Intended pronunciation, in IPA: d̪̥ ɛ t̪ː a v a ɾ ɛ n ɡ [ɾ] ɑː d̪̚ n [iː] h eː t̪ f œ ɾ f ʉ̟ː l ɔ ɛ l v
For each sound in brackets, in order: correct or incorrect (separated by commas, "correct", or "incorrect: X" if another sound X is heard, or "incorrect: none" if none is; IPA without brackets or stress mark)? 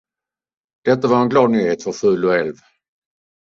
incorrect: l, incorrect: yː